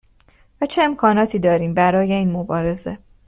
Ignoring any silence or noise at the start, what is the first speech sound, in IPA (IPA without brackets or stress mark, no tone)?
v